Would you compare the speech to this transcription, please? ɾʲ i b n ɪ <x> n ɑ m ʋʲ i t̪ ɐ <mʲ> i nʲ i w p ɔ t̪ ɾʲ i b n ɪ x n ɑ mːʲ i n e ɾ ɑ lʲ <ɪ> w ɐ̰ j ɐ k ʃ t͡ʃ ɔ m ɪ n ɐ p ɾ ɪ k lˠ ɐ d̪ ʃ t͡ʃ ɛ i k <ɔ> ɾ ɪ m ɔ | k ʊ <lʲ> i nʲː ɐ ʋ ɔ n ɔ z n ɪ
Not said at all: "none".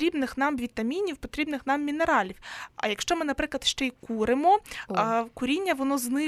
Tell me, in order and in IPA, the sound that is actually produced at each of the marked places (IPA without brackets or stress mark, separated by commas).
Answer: x, mʲ, i, u, ɾʲ